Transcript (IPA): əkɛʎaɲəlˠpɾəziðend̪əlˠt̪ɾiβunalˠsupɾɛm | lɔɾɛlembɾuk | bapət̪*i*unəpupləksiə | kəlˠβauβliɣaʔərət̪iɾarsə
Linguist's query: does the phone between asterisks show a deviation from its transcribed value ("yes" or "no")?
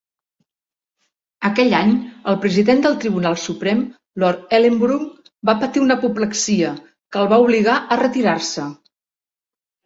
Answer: no